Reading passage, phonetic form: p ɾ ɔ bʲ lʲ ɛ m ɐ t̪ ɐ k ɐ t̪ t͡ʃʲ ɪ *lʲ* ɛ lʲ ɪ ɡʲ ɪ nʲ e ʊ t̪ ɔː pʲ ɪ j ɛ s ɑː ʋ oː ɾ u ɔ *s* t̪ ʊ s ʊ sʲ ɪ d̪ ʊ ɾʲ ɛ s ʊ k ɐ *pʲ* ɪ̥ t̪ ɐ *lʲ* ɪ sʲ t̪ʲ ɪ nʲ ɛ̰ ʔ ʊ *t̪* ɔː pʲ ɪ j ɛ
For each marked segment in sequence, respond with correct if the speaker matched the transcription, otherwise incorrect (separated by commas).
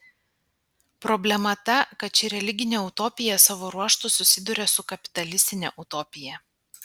incorrect, incorrect, correct, correct, correct